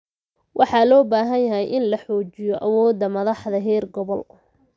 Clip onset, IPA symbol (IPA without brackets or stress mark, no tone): w